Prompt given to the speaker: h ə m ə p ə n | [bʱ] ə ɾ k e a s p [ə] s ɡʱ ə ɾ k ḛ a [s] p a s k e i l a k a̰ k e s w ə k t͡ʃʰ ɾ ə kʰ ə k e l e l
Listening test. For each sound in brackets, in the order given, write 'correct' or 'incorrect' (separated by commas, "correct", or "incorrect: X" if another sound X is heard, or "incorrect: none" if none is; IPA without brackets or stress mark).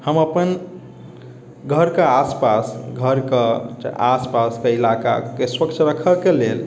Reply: incorrect: ɡʱ, incorrect: a, correct